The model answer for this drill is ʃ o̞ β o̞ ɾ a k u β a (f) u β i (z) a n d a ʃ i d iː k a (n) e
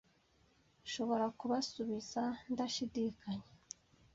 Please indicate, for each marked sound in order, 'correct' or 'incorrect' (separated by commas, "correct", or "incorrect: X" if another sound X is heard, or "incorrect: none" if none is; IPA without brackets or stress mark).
incorrect: s, correct, incorrect: ɲ